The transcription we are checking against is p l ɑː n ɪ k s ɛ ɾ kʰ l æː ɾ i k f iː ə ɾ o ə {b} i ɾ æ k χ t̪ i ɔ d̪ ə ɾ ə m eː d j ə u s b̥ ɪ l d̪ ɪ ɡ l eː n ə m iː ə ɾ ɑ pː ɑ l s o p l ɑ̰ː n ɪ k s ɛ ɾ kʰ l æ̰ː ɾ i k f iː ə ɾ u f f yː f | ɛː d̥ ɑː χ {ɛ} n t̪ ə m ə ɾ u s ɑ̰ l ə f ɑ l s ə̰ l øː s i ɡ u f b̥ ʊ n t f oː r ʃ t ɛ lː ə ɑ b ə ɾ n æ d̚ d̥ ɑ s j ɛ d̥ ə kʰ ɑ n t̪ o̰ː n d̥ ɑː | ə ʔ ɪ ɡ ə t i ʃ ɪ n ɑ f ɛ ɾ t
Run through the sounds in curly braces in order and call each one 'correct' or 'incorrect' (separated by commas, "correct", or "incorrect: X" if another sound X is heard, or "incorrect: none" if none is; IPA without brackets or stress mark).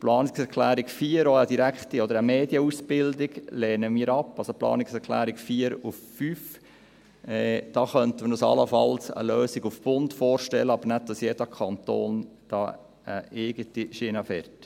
incorrect: d, incorrect: œ